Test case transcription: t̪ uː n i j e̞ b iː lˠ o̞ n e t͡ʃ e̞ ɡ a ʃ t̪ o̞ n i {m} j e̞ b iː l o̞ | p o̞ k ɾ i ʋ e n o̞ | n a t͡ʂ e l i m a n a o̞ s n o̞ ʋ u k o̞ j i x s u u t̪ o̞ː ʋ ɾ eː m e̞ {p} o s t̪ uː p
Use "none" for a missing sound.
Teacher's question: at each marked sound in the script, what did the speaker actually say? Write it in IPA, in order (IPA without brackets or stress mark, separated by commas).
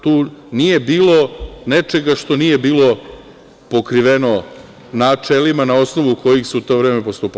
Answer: none, p